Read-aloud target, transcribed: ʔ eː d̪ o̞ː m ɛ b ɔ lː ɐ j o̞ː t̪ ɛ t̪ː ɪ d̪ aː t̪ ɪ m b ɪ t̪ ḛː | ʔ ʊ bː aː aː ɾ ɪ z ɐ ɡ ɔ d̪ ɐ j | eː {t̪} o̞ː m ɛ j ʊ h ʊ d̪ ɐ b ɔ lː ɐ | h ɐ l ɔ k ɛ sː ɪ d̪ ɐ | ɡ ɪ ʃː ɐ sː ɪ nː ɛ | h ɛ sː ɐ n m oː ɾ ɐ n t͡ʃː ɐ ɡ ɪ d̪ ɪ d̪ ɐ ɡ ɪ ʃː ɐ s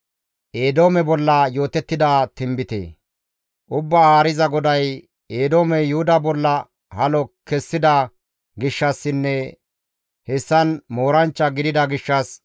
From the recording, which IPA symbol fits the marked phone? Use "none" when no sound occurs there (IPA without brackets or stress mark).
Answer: d̪